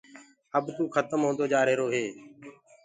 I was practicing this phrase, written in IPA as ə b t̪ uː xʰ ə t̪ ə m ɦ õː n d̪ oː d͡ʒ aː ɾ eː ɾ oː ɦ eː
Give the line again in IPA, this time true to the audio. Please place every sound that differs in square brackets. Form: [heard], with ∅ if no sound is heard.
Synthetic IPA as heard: ə b t̪ uː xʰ ə t̪ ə m ɦ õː n d̪ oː d͡ʒ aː ɾ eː ɾ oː ɦ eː